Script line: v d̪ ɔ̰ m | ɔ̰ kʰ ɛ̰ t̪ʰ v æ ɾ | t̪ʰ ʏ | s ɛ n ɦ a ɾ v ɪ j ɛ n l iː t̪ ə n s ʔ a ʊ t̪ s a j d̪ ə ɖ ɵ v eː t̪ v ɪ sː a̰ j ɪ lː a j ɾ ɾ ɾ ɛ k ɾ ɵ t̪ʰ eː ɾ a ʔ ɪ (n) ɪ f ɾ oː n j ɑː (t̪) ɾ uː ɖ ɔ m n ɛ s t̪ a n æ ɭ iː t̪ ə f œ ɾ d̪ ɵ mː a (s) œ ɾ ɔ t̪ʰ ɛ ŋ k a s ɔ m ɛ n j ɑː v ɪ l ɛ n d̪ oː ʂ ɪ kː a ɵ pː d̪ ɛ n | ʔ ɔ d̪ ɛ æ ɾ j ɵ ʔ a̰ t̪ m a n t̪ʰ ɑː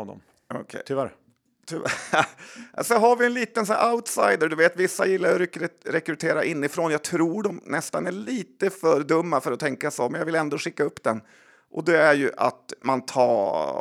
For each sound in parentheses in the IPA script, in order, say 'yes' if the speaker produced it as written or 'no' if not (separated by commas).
no, no, no